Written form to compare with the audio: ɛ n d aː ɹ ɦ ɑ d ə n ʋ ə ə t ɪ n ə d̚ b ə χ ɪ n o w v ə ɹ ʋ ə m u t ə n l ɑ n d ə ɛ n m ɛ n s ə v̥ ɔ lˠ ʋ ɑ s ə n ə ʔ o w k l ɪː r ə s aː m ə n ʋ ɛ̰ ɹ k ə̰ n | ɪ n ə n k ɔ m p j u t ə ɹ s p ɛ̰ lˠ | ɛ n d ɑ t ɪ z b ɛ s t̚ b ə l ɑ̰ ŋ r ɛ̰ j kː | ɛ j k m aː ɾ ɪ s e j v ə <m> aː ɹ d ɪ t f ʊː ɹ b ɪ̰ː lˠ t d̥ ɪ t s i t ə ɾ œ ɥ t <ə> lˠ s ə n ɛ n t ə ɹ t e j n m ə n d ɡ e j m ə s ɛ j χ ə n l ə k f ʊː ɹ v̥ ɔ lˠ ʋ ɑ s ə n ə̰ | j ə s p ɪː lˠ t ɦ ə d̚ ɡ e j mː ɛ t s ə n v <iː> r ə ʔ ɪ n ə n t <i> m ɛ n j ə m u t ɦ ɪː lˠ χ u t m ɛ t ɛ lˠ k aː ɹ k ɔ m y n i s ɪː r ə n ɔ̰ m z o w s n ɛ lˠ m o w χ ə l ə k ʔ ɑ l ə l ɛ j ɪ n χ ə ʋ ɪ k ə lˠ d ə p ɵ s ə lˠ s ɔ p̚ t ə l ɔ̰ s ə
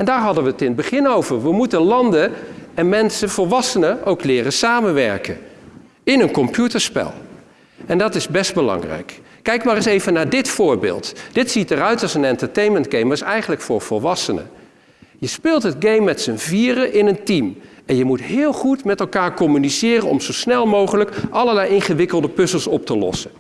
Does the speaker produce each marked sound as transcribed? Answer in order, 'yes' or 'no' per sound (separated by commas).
no, no, yes, yes